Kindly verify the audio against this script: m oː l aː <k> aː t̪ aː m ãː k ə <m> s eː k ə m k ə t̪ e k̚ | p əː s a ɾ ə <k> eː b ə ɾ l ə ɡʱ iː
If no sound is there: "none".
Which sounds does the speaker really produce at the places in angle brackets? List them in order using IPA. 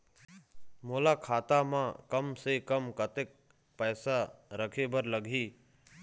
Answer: kʰ, m, kʰ

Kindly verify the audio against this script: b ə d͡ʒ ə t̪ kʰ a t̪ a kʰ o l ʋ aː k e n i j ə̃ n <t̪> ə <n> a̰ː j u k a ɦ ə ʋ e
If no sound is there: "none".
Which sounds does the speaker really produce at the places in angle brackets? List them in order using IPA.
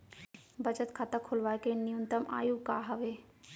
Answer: t̪, m

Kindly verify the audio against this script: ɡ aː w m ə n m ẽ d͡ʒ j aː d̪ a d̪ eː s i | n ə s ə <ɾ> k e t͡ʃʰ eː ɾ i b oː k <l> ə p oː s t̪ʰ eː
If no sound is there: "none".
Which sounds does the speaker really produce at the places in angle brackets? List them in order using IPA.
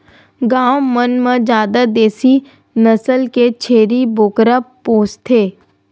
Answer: l, ɾ

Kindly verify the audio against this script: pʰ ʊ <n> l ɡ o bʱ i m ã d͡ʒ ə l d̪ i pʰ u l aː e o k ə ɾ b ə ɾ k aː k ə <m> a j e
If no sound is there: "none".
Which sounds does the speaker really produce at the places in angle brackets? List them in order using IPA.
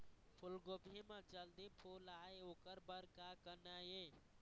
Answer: none, n

